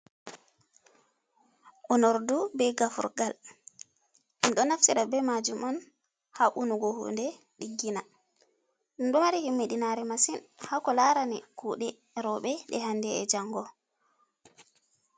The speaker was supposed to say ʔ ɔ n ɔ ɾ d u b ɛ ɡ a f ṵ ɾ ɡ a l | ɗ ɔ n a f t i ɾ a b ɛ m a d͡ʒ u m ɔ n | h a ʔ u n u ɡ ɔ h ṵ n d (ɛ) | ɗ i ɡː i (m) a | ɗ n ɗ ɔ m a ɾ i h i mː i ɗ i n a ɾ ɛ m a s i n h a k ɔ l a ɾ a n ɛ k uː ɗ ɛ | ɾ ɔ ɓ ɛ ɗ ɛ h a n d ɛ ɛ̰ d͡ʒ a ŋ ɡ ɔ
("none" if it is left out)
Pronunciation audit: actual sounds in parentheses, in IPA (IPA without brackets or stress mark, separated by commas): ɛ, n